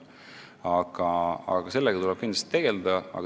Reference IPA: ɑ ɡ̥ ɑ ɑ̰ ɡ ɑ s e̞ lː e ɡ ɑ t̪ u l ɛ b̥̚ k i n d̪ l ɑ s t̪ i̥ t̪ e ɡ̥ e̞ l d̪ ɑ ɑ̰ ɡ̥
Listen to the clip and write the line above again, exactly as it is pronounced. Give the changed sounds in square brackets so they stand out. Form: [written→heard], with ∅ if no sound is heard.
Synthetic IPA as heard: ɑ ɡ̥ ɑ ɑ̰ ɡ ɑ s e̞ lː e ɡ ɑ t̪ u l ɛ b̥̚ k i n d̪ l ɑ s t̪ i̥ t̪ e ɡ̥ e̞ l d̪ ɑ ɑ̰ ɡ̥